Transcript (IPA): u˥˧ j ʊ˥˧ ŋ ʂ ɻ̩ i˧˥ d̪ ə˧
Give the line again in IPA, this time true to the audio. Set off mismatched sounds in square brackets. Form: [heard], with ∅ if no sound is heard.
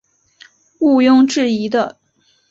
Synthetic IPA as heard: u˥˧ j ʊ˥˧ ŋ [ʈ͡ʂ] ɻ̩ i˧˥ d̪ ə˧